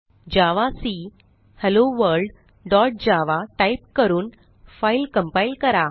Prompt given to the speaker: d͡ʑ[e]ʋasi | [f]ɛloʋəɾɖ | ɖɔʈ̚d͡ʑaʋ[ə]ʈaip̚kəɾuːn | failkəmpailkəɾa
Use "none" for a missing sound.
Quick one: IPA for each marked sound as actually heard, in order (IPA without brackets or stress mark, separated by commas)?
a, h, a